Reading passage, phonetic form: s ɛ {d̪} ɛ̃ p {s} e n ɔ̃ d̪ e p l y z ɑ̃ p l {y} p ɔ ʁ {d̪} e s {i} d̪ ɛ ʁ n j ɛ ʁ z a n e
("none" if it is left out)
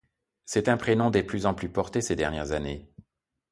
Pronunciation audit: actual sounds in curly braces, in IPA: t̪, χ, y, t̪, e

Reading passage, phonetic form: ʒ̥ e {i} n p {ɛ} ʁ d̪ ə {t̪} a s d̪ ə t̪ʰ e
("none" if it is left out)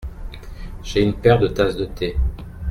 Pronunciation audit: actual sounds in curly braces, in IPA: y, ɛ, t̪

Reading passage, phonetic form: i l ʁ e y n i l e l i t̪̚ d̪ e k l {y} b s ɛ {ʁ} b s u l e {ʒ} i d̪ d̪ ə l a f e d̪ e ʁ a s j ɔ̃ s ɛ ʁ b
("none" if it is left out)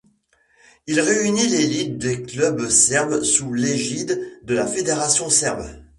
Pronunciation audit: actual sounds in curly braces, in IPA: œ, ʁ, ʒ

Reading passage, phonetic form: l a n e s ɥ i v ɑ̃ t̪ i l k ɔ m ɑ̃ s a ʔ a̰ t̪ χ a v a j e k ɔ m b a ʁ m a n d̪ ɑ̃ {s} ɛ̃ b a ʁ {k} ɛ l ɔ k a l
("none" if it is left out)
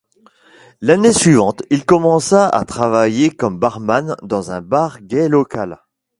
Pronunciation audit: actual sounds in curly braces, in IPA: z, ɡ

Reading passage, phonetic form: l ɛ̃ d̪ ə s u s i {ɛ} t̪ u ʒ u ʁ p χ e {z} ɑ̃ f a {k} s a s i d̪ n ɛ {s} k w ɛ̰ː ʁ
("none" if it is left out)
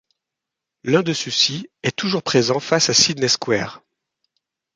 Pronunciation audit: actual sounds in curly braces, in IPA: ɛ, z, none, s

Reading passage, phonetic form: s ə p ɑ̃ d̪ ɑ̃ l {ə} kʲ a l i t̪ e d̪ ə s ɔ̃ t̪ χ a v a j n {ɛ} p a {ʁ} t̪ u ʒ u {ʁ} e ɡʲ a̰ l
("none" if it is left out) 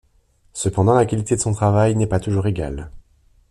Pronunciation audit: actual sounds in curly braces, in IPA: a, ɛ, none, ʁ

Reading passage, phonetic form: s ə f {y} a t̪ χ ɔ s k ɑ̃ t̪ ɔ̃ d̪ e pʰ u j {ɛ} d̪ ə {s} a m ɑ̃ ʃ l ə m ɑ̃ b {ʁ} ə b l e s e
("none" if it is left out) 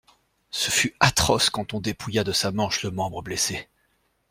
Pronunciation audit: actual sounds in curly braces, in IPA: y, a, s, ʁ

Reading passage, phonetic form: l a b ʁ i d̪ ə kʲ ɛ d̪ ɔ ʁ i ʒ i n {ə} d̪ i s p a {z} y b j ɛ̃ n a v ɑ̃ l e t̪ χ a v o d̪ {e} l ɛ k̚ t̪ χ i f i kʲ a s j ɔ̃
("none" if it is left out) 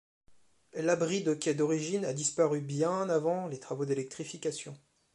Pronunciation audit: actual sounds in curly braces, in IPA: a, ʁ, e

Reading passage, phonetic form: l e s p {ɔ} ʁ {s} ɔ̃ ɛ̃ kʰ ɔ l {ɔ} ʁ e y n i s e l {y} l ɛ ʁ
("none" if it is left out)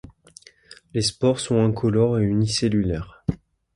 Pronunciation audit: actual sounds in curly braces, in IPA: ɔ, s, ɔ, y

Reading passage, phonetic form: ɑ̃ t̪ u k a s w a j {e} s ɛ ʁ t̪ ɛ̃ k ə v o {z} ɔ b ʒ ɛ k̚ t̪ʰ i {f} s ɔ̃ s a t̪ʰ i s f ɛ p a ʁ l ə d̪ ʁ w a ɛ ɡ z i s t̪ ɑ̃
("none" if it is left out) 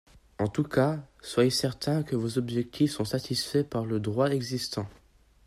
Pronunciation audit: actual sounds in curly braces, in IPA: e, z, f

